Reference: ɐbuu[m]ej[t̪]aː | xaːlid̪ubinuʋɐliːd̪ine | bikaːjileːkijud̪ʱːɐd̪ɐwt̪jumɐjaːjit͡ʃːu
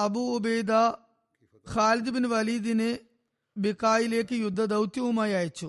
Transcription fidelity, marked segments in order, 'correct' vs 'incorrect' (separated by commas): incorrect, incorrect